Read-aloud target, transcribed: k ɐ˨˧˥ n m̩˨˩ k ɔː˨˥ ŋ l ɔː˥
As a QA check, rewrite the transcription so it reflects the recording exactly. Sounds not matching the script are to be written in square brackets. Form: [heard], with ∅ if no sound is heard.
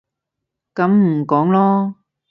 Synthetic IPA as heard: k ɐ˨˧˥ [m] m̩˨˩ k ɔː˨˥ ŋ l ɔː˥